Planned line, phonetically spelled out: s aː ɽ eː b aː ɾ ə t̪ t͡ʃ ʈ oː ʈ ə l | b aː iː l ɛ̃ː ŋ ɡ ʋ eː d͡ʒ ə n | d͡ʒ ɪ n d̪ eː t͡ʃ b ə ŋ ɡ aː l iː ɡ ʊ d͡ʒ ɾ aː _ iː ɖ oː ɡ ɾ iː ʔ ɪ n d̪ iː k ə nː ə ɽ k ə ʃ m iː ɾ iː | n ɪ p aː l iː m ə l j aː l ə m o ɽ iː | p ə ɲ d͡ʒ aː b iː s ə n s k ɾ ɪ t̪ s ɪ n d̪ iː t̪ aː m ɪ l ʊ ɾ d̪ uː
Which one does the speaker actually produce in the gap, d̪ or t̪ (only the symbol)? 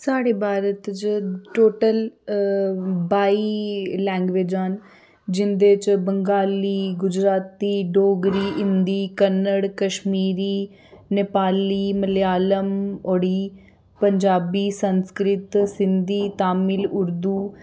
t̪